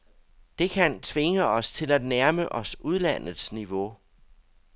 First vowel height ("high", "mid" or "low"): mid